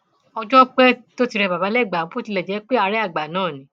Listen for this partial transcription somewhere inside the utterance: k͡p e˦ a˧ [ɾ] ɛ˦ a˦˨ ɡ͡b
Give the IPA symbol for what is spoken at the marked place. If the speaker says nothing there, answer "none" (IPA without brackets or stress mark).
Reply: ɾ